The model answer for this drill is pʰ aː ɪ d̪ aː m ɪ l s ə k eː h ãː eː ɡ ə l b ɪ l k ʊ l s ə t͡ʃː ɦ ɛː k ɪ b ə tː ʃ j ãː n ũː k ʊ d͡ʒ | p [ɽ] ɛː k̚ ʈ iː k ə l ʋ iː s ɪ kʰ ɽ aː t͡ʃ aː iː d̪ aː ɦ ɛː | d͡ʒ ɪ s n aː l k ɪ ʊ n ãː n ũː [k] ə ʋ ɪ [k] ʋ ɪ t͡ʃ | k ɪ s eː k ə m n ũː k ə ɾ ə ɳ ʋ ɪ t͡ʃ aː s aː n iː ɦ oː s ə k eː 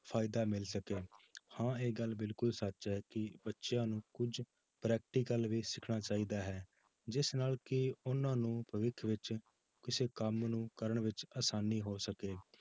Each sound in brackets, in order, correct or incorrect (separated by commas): incorrect, incorrect, incorrect